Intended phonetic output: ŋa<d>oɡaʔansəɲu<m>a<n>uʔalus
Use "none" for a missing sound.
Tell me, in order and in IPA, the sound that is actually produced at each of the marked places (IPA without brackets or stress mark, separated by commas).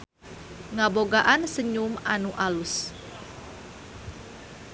b, m, n